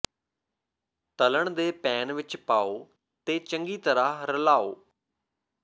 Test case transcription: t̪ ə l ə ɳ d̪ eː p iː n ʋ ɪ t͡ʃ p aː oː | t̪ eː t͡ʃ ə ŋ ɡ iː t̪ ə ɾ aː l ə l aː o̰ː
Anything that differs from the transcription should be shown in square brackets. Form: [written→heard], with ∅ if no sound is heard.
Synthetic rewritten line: t̪ ə l ə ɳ d̪ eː p [iː→ɛː] n ʋ ɪ t͡ʃ p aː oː | t̪ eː t͡ʃ ə ŋ ɡ iː t̪ ə ɾ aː [l→ɾ] ə l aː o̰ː